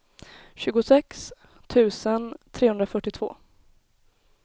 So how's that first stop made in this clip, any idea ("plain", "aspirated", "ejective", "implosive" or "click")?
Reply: plain